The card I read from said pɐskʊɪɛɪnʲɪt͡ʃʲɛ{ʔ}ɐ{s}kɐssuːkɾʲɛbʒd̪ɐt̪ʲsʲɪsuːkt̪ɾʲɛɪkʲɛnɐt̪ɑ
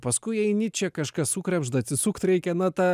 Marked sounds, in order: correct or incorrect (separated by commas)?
incorrect, incorrect